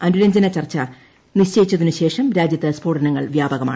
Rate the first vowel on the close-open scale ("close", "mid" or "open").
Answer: open